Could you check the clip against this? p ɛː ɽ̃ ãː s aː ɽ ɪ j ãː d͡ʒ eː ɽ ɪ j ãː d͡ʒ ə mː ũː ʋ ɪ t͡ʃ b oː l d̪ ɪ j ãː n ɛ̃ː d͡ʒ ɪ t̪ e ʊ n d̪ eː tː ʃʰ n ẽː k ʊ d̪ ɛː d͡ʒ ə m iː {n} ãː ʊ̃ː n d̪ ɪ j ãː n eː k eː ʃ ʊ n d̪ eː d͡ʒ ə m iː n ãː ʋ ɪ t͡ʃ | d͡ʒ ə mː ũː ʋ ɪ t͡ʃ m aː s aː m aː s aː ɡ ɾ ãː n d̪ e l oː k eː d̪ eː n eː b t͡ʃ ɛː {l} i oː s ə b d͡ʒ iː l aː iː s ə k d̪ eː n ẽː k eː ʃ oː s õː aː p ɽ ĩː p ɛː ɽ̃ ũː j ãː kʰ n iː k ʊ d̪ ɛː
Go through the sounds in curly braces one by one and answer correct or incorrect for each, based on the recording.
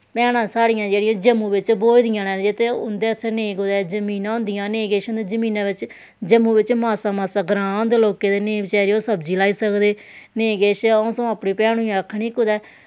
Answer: correct, incorrect

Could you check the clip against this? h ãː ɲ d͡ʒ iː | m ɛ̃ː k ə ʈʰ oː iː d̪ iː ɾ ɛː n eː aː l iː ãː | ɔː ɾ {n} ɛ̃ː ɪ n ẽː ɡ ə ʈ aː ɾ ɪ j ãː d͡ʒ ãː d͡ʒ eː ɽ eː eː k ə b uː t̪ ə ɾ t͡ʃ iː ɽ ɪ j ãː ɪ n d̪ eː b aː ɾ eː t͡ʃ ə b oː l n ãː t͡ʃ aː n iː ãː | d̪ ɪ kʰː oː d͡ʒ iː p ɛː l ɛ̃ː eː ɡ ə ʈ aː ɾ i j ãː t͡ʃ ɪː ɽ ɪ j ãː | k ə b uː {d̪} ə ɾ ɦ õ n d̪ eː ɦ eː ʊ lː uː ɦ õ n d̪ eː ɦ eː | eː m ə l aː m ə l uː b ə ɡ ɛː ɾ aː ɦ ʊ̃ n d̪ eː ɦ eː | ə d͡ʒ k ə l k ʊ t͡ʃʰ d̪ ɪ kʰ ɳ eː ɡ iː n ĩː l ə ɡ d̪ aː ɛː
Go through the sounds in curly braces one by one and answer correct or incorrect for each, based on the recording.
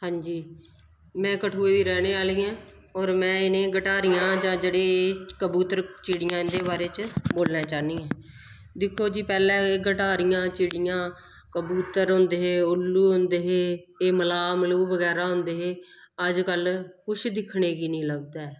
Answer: incorrect, incorrect

